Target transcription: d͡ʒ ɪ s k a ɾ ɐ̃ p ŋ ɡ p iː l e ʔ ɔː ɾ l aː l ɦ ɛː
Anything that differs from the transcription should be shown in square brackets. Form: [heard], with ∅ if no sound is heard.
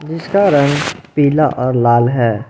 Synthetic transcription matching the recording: d͡ʒ ɪ s k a ɾ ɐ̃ [∅] ŋ ɡ p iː l [a] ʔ ɔː ɾ l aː l ɦ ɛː